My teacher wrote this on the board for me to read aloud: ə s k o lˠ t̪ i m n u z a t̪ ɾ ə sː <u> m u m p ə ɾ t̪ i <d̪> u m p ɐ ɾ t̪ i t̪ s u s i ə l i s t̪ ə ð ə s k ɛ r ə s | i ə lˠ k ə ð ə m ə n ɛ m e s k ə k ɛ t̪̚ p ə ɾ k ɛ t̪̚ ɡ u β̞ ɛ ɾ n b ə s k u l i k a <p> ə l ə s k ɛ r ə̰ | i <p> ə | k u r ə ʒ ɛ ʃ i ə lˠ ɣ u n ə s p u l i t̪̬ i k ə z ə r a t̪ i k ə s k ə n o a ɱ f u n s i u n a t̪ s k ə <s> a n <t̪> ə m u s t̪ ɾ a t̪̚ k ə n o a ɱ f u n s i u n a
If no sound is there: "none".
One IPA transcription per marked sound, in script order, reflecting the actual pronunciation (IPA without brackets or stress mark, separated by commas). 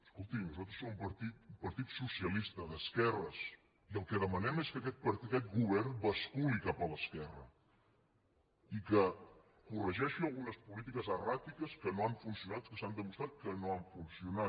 o, t̪, p, k, s, d̪